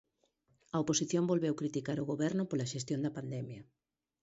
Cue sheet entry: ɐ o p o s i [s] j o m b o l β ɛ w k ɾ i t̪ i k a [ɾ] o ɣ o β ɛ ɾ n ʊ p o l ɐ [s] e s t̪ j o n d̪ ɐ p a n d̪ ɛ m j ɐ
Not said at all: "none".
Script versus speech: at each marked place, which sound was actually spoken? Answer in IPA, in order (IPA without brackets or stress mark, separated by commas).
θ, ɾ, ʃ